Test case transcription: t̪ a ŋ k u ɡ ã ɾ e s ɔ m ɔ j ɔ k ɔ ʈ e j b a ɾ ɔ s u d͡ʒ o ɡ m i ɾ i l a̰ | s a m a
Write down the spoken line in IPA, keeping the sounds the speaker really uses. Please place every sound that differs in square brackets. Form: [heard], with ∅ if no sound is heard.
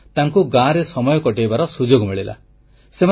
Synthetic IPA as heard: t̪ a ŋ k u ɡ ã ɾ e s ɔ m ɔ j ɔ k ɔ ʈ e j b a ɾ ɔ s u d͡ʒ o ɡ m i [ɭ] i l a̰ | s [e] m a